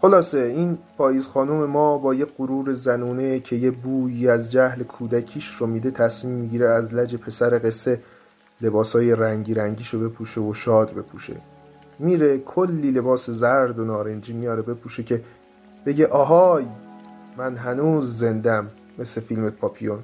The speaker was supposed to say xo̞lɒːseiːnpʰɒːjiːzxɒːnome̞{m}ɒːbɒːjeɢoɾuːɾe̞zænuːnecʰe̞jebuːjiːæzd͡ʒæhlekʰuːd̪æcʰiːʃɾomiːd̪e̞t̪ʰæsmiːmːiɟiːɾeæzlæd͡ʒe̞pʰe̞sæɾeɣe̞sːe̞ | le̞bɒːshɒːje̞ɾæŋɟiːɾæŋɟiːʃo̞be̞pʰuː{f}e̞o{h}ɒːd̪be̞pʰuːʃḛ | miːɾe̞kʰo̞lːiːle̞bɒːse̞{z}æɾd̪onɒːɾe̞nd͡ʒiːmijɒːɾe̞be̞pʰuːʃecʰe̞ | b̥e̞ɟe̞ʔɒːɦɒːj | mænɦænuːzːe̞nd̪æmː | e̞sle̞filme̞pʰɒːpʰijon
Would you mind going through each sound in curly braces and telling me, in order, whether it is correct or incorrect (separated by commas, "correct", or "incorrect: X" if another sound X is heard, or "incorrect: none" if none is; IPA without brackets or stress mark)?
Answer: correct, incorrect: ʃ, incorrect: ʃ, correct